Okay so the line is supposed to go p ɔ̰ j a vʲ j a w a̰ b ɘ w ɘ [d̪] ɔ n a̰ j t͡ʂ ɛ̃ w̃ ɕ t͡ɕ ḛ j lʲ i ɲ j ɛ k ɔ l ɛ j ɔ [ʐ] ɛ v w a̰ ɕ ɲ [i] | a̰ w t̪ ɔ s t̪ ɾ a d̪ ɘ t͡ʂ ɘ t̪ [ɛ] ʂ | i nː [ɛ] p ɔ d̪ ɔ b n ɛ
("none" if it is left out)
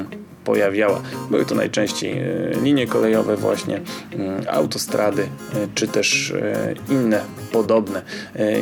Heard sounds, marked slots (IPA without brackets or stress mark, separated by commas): t̪, v, ɛ, ɛ, ɛ